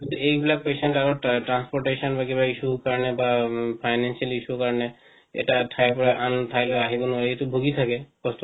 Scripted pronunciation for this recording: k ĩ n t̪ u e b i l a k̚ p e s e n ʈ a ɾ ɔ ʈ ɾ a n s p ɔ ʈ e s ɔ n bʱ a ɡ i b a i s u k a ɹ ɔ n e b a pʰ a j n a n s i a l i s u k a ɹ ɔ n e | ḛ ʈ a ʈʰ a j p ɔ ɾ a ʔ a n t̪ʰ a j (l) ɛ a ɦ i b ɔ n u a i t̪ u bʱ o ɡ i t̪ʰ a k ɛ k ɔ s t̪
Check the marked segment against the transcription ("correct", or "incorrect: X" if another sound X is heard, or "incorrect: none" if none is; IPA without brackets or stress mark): correct